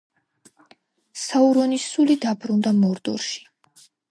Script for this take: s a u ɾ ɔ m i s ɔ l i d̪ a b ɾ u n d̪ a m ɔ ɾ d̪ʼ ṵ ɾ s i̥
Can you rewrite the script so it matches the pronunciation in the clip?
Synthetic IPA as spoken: s a u ɾ ɔ n i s u l i d̪ a b ɾ u n d̪ a m ɔ ɾ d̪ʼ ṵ ɾ ʃ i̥